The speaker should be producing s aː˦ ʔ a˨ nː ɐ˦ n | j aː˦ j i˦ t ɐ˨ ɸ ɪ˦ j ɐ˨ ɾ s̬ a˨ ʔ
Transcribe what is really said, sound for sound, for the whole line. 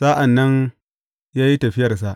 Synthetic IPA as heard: s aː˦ ʔ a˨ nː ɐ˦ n | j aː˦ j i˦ t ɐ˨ ɸ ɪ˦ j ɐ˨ r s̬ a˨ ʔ